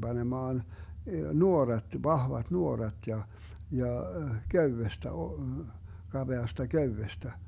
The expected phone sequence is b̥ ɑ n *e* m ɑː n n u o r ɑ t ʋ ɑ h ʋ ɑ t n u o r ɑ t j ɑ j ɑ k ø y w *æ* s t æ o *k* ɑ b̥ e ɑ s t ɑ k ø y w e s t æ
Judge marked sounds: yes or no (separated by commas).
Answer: yes, no, yes